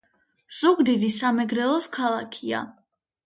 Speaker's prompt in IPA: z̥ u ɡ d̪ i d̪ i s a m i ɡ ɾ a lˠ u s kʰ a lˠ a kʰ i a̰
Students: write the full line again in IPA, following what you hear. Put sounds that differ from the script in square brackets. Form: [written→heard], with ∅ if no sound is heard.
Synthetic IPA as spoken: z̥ u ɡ d̪ i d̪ i s a m [i→ɛ] ɡ ɾ [a→ɛ] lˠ [u→ɔ] s kʰ a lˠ a kʰ i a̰